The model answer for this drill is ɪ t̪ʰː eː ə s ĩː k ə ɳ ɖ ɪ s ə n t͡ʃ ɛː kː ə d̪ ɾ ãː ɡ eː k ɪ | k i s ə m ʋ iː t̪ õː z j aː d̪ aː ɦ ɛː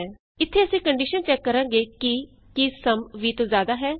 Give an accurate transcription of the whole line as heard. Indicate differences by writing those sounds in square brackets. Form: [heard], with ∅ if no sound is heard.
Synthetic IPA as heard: ɪ t̪ʰː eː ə s ĩː k ə ɳ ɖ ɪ [ʃ] ə n t͡ʃ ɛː kː ə [∅] ɾ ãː ɡ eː k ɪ | k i s ə m ʋ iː t̪ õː z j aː d̪ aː ɦ ɛː